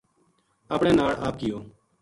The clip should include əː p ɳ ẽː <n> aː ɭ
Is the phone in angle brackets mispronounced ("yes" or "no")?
no